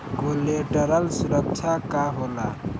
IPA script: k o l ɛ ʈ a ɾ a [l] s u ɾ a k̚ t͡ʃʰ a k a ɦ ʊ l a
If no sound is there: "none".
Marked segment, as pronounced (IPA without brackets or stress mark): l